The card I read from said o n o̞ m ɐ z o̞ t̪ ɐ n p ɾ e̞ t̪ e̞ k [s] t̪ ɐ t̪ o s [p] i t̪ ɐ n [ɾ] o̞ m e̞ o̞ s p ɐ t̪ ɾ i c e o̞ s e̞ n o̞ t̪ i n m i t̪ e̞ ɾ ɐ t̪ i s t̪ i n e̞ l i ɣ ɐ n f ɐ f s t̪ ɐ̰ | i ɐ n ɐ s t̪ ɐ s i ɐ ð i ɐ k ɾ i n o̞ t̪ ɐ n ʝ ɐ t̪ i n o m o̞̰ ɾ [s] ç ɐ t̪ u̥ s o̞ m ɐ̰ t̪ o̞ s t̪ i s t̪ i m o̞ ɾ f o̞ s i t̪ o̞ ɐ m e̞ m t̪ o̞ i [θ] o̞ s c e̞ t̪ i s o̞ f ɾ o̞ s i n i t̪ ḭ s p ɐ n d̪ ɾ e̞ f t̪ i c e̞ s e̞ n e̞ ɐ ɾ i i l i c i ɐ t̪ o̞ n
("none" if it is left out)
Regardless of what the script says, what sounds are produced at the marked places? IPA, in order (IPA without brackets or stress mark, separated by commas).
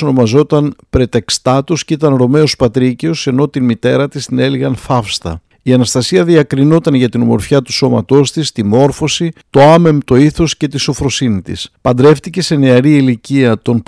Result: s, c, ɾ, f, θ